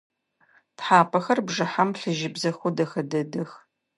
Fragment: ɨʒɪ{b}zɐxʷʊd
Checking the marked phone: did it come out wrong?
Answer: no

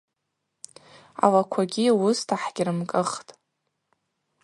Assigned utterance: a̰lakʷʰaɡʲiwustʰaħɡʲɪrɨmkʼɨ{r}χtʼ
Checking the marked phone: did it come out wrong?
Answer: yes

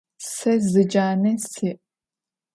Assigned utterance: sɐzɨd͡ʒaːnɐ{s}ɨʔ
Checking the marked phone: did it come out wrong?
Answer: no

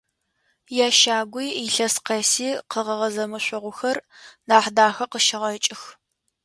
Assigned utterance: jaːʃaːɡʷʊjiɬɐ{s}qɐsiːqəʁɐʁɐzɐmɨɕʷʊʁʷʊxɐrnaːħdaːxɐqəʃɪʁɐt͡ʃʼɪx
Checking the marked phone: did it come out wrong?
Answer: no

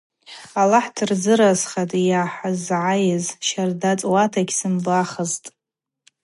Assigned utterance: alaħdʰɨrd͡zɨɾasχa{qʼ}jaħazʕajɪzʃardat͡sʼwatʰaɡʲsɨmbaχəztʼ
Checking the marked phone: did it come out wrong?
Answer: yes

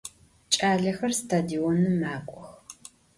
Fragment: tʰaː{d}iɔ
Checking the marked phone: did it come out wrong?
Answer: no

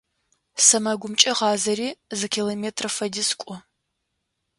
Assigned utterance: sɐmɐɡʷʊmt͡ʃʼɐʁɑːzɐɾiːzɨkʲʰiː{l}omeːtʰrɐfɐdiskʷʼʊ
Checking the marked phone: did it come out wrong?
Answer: no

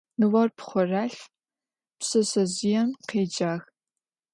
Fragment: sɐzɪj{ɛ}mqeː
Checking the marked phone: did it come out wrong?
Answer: no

